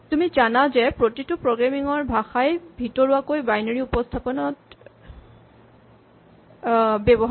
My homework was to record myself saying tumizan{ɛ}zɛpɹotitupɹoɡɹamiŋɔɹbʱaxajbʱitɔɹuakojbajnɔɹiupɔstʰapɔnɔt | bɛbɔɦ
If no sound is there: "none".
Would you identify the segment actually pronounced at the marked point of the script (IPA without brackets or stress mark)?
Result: a